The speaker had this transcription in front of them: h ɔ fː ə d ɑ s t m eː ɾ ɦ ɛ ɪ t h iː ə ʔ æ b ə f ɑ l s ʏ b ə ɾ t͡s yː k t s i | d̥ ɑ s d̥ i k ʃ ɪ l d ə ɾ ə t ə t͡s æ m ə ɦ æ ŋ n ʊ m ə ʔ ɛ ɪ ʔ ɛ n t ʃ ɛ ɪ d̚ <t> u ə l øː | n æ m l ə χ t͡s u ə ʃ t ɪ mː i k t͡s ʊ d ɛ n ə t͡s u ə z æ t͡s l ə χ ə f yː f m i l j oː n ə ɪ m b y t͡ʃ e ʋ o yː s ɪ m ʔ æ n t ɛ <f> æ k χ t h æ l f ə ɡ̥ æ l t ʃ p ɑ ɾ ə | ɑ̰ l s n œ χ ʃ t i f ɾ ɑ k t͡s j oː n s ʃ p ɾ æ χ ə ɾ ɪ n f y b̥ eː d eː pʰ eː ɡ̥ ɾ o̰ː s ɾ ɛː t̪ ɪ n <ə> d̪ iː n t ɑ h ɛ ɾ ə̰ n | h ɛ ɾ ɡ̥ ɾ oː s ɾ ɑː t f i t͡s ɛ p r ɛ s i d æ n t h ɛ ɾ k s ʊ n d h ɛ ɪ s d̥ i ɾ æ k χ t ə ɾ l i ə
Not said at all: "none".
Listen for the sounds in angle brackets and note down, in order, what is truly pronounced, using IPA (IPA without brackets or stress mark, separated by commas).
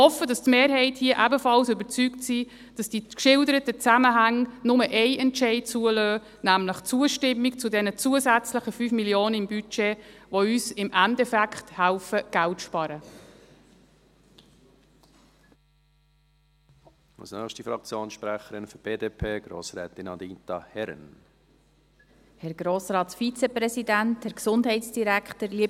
t͡s, f, ɑ